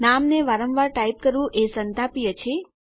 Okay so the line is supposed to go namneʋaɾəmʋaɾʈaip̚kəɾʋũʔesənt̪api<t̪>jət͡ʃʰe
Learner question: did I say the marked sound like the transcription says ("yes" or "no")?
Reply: no